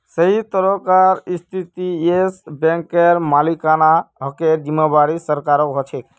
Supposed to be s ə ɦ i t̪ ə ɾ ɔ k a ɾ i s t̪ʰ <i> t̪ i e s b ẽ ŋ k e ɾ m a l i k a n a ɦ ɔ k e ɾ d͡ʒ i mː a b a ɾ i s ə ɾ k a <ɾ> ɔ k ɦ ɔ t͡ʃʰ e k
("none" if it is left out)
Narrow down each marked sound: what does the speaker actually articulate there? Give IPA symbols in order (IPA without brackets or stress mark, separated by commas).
i, ɾ